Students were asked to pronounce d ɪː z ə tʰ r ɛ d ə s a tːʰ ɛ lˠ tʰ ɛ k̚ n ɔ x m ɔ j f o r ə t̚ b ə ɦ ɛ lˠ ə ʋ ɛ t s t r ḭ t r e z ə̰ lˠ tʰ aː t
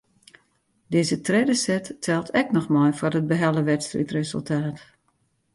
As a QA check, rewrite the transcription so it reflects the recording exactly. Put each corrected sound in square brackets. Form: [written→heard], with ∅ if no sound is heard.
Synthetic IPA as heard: d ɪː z ə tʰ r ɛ d ə s [a→ɛ] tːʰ ɛ lˠ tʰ ɛ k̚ n ɔ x m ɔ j f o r ə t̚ b ə ɦ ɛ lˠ ə ʋ ɛ t s t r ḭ t r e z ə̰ lˠ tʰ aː t

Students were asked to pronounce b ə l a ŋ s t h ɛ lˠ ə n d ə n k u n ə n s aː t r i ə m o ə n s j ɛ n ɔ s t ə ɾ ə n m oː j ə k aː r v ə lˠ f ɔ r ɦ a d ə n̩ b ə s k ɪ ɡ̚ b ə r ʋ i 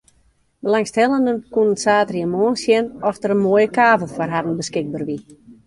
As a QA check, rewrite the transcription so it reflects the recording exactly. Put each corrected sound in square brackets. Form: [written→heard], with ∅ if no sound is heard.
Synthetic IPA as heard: b ə l a ŋ s t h ɛ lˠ ə n d ə n k u n ə n s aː t r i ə m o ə n s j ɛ n ɔ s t ə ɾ ə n m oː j ə k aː [r→∅] v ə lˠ f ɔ r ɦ a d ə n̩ b ə s k ɪ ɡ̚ b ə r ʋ i

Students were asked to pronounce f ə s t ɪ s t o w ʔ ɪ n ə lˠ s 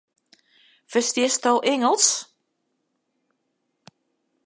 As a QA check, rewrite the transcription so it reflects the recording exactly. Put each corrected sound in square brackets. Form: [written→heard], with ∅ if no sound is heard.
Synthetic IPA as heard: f ə s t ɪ s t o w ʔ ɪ [n→ŋ] ə lˠ s

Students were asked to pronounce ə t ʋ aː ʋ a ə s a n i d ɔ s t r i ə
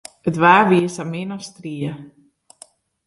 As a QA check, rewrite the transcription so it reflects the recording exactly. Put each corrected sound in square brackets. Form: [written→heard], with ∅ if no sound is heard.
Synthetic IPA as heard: ə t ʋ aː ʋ [a→i] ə s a [n→m] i [d→n] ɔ s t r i ə

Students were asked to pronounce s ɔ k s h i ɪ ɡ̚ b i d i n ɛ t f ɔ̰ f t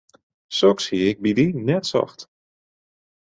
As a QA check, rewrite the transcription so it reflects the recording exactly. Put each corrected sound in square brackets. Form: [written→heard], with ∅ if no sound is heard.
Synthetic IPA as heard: s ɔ k s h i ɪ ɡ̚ b i d i n ɛ t [f→s] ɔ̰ [f→x] t

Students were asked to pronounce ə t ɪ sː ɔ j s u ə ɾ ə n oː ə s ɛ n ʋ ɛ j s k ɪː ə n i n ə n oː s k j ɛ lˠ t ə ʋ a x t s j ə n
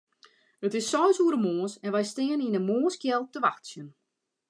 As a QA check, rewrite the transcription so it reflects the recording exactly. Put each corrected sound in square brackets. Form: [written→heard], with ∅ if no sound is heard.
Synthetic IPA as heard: ə t ɪ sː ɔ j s u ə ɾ ə [n→m] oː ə s ɛ n ʋ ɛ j s [k→t] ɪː ə n i n ə [n→m] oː s k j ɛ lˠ t ə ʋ a x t s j ə n

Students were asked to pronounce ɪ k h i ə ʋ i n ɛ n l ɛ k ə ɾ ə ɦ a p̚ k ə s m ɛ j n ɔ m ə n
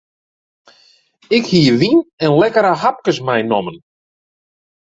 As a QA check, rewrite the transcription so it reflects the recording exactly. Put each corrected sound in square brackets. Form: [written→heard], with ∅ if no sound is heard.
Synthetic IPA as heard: ɪ k h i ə ʋ i n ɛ n l ɛ k ə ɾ ə ɦ a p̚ k ə s m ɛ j n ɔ m ə n

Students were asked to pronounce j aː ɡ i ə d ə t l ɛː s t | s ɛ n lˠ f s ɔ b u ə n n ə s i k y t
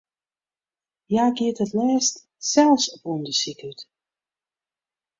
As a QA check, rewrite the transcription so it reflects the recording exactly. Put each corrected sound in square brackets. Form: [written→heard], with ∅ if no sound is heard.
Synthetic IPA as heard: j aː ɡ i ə [d→t] ə t l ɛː s t | s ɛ [n→∅] lˠ f s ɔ [b→p] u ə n [n→d] ə s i k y t

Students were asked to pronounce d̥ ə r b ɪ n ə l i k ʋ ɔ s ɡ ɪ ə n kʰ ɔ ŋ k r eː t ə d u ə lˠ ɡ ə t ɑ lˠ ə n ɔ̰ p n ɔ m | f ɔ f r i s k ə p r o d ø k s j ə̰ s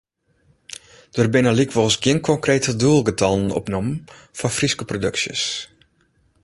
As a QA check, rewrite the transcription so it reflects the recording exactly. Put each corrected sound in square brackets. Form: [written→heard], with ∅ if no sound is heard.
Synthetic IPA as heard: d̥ ə r b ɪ n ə l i k ʋ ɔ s ɡ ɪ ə n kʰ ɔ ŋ k r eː t ə d u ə lˠ ɡ ə t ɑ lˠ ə n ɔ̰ p n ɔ m | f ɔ f r i s k ə p r o d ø k s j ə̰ s

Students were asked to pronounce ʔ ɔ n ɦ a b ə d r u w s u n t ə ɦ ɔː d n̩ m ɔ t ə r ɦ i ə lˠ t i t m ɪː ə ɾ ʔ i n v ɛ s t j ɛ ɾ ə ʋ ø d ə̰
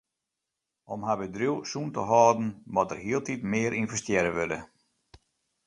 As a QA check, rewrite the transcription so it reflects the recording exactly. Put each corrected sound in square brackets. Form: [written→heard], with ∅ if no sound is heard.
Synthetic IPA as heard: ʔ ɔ [n→m] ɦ a b ə d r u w s u n t ə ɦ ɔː d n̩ m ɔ t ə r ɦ i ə lˠ t i t m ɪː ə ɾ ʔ i n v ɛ s t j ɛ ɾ ə ʋ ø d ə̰

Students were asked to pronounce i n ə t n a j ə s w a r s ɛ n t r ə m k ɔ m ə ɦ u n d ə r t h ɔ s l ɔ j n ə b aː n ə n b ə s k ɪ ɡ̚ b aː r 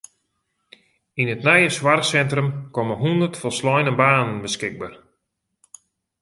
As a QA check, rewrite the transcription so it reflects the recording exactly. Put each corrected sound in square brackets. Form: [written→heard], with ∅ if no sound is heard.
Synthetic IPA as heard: i n ə t n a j ə s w a r s ɛ n t r ə m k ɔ m ə ɦ u n d ə r t [h→f] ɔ s l ɔ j n ə b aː n ə n b ə s k ɪ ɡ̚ b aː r

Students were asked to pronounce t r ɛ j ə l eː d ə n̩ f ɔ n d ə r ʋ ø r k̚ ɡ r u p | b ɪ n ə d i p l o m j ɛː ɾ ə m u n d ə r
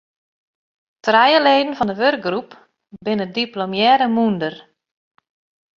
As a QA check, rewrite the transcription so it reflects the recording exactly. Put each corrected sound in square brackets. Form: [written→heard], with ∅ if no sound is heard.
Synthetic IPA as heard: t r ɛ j ə l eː d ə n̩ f ɔ n d ə [r→∅] ʋ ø r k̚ ɡ r u p | b ɪ n ə d i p l o m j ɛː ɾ ə m u n d ə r

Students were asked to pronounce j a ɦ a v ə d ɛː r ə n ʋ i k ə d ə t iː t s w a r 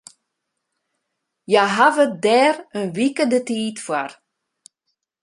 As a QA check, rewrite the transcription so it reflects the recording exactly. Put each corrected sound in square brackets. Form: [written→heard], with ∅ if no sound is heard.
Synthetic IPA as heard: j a ɦ a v ə d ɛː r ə n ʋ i k ə d ə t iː t [s→f] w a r

